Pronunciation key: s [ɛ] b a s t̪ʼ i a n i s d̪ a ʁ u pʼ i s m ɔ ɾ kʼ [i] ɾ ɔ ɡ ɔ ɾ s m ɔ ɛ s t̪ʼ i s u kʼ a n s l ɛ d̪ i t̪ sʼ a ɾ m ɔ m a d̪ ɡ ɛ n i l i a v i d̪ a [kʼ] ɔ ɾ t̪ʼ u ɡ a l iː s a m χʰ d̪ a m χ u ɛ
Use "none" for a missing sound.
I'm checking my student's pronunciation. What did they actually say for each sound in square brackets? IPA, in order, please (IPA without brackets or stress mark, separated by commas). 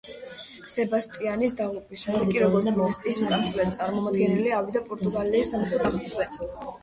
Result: ɛ, i, pʼ